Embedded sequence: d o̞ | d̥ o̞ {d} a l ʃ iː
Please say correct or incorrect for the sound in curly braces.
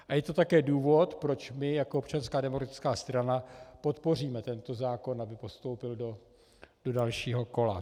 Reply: correct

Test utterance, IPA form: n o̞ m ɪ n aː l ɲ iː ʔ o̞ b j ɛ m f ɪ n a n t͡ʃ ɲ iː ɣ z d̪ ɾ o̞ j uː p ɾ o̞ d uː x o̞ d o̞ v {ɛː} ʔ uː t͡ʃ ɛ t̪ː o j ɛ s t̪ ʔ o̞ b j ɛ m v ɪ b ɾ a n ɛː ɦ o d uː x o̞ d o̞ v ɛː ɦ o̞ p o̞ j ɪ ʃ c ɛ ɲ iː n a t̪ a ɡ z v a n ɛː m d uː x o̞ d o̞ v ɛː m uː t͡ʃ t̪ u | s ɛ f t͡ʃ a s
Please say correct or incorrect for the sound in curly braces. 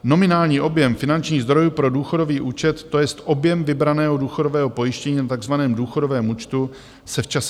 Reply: incorrect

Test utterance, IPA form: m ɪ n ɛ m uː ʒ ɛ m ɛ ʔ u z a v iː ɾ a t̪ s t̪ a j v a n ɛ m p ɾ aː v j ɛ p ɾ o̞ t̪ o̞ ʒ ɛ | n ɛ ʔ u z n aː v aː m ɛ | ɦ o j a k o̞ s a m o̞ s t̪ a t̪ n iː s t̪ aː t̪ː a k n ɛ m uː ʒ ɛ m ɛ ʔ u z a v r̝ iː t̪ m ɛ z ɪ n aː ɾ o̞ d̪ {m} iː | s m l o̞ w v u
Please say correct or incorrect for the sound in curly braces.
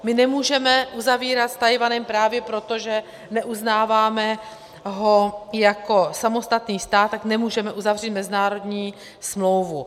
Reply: incorrect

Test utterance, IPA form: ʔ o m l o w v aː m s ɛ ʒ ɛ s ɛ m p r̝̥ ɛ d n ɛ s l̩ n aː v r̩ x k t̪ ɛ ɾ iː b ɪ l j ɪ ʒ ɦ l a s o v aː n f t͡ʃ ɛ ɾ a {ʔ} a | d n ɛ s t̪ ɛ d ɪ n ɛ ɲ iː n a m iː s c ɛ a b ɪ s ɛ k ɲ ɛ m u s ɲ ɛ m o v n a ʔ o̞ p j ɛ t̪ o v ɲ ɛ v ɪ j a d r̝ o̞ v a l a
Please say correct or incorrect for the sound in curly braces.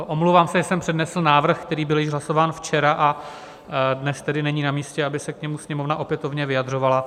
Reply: correct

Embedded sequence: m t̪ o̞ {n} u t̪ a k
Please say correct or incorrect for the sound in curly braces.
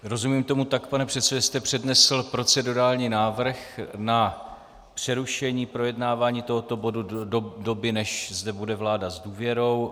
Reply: incorrect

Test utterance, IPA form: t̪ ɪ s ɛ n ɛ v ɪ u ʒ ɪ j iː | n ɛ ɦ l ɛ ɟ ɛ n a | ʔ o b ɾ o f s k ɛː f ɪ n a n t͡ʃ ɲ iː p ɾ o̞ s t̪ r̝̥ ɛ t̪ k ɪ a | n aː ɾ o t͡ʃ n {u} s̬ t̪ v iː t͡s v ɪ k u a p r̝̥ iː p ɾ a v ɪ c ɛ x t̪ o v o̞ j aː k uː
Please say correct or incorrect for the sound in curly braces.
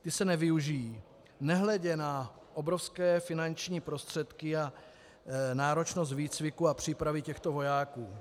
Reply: incorrect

